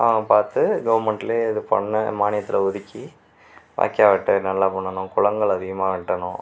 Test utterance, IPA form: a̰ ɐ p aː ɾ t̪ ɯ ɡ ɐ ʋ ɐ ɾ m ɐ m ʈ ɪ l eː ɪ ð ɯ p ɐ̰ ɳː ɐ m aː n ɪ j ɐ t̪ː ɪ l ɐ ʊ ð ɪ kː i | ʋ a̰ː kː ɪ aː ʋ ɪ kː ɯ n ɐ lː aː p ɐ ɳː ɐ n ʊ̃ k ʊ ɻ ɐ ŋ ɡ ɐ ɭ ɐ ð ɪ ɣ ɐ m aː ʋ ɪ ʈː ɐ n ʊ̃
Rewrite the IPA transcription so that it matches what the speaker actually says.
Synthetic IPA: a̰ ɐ p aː ɾ t̪ ɯ ɡ ɐ ʋ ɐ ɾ m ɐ ɳ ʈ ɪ l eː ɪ ð ɯ p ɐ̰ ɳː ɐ m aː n ɪ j ɐ t̪ː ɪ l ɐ ʊ ð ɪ kː i | ʋ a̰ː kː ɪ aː ʋ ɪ ʈː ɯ n ɐ lː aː p ɐ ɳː ɐ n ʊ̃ k ʊ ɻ ɐ ŋ ɡ ɐ ɭ ɐ ð ɪ ɣ ɐ m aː ʋ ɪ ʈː ɐ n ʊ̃